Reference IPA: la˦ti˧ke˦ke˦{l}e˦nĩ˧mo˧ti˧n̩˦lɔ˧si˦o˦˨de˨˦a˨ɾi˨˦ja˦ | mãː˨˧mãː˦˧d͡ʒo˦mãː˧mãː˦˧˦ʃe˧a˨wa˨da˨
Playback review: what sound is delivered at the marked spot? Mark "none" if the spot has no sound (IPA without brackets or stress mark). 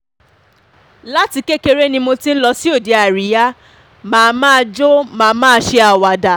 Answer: ɾ